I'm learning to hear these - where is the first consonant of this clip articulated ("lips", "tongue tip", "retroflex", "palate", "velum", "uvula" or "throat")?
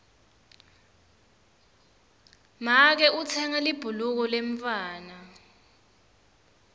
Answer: lips